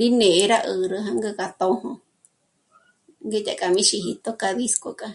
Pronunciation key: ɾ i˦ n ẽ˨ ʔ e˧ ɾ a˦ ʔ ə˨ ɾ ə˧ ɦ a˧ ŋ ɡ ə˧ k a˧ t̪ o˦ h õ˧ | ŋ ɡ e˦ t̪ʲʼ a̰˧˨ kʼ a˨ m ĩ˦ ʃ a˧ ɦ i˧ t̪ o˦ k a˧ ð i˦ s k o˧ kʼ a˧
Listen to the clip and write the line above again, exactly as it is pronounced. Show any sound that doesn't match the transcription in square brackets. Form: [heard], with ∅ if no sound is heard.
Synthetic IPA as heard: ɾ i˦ n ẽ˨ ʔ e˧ ɾ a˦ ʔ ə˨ ɾ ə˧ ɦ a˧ ŋ ɡ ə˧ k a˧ t̪ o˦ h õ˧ | ŋ ɡ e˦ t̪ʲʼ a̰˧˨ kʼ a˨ m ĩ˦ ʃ [i˧] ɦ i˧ t̪ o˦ k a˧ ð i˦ s k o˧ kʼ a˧